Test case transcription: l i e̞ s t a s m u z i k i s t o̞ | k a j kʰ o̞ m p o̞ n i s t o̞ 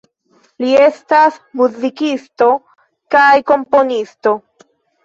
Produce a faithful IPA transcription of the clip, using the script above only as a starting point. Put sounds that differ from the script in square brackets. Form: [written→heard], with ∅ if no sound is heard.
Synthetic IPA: l i e̞ s t a s m u z i k i s t o̞ | k a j [kʰ→k] o̞ m p o̞ n i s t o̞